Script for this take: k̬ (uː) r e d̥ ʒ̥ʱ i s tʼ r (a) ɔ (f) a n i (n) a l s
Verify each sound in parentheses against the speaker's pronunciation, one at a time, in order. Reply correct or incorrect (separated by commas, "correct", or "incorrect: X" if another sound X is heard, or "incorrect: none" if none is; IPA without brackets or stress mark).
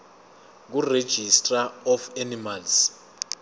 incorrect: u, correct, correct, incorrect: m